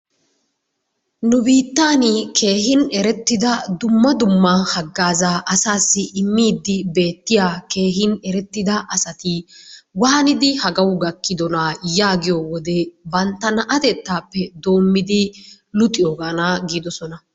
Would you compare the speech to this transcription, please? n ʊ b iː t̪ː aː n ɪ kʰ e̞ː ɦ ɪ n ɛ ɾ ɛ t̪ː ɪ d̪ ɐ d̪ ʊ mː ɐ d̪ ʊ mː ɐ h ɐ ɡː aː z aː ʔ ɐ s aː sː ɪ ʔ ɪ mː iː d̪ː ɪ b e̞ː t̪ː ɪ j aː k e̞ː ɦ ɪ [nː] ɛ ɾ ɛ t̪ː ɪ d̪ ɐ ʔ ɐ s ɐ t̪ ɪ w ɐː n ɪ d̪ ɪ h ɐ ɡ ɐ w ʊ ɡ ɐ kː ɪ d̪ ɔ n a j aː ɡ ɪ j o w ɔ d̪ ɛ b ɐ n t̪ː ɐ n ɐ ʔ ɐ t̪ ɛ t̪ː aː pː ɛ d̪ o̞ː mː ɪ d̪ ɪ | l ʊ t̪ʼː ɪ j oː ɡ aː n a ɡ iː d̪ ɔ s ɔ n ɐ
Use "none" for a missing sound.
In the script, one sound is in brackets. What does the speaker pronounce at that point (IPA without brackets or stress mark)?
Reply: n